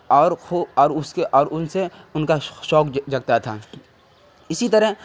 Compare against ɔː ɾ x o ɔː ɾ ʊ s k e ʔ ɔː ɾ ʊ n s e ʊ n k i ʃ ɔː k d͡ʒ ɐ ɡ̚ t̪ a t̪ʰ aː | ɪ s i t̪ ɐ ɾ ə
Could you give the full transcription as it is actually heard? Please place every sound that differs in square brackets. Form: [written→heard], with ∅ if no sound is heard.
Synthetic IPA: ɔː ɾ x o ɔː ɾ ʊ s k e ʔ ɔː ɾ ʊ n s e ʊ n k [i→a] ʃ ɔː k d͡ʒ ɐ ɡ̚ t̪ a t̪ʰ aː | ɪ s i t̪ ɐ ɾ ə